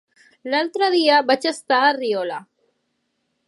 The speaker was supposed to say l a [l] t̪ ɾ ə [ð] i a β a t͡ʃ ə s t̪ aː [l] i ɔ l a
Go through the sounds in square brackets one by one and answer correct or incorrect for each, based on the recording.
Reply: correct, correct, incorrect: r

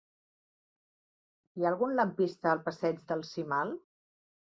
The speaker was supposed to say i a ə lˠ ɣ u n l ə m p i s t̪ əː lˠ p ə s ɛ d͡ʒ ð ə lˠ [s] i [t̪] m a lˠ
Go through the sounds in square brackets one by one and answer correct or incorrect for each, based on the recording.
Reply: correct, incorrect: none

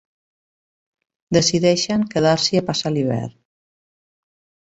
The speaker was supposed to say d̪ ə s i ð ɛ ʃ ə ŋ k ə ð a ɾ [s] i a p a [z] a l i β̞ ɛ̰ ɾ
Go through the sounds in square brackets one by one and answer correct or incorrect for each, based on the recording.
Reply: correct, incorrect: s

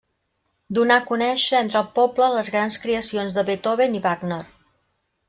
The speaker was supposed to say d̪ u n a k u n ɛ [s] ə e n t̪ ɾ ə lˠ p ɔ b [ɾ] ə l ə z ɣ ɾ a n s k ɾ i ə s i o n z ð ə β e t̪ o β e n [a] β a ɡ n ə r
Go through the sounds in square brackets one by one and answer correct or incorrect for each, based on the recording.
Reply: incorrect: ʃ, incorrect: l, incorrect: i

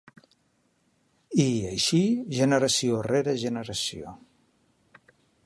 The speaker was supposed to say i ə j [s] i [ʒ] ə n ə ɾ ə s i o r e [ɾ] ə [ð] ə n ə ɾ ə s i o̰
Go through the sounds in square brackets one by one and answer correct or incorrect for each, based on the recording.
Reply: incorrect: ʃ, correct, correct, incorrect: ʒ

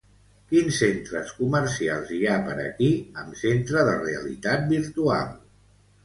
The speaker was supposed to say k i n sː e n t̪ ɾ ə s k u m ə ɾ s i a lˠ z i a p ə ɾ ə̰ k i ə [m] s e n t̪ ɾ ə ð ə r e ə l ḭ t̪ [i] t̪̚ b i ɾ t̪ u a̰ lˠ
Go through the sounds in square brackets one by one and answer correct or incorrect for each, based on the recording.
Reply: correct, incorrect: a

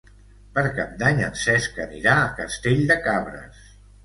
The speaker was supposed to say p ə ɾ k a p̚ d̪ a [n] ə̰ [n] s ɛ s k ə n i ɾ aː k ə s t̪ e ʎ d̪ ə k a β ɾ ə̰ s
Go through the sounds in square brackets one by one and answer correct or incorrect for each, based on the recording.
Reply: incorrect: ɲ, correct

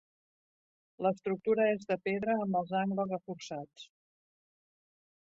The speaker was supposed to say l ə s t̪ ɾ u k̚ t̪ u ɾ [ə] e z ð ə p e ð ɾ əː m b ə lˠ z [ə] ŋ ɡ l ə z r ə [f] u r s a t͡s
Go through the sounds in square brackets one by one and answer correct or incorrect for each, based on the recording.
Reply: correct, incorrect: a, correct

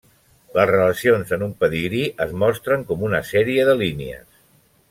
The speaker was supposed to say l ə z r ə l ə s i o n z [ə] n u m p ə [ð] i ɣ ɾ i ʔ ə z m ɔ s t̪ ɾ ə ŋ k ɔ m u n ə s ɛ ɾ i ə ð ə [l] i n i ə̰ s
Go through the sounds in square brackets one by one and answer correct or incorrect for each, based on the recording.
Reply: correct, correct, correct

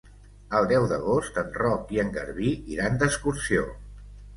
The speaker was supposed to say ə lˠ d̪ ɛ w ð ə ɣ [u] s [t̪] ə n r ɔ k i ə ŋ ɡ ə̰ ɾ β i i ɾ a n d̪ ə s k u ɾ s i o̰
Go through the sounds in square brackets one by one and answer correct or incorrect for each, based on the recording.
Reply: incorrect: o, correct

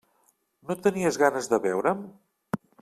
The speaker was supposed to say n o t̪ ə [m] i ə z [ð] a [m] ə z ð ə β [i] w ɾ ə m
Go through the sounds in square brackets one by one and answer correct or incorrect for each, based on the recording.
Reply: incorrect: n, incorrect: ɣ, incorrect: n, incorrect: ɛ

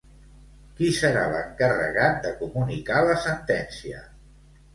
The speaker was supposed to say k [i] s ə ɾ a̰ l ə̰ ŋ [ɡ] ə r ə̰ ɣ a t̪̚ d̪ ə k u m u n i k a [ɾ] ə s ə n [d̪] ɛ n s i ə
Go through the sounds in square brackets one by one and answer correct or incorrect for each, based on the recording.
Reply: correct, incorrect: k, incorrect: l, incorrect: t̪

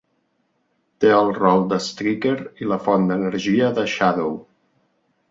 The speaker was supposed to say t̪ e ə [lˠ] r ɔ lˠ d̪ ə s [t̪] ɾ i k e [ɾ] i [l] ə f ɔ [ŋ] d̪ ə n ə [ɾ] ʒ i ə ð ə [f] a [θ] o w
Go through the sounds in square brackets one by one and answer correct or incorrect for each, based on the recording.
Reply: correct, correct, correct, correct, incorrect: n, correct, incorrect: ʃ, incorrect: ð

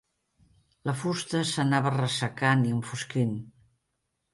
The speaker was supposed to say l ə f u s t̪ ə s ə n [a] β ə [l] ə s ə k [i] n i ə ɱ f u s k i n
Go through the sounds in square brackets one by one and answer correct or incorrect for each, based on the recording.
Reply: correct, incorrect: r, incorrect: a

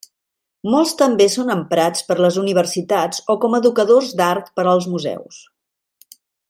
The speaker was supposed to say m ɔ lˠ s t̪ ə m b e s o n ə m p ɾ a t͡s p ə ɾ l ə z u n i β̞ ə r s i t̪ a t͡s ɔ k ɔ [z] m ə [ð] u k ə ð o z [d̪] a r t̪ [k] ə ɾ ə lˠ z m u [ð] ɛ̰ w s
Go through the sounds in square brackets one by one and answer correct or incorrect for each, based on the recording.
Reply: incorrect: none, correct, correct, incorrect: p, incorrect: z

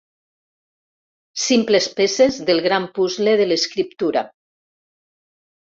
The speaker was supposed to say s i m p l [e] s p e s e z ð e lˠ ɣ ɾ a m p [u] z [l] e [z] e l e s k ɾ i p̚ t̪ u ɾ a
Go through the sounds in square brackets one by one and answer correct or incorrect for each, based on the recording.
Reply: correct, correct, correct, incorrect: ð

